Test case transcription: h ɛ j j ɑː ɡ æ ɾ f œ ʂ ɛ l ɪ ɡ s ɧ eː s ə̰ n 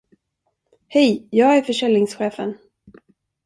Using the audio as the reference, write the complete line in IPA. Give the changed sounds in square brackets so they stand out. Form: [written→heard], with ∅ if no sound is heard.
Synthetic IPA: h ɛ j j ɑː ɡ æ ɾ f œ ʂ ɛ l ɪ [ɡ→ŋ] s ɧ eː [s→f] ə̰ n